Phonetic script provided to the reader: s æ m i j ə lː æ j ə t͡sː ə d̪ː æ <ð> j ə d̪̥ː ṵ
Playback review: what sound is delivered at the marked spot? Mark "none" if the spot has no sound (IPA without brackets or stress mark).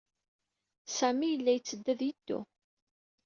ð